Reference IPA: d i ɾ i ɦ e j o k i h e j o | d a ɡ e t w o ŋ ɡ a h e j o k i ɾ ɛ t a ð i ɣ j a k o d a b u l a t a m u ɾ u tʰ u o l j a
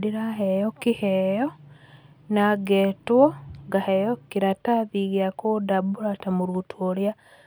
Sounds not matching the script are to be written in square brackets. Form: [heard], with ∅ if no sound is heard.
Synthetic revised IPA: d i ɾ [a] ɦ e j o k i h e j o | [n] a ɡ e t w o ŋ ɡ a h e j o k i ɾ [a] t a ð i ɣ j a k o d a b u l a t a m u ɾ u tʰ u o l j a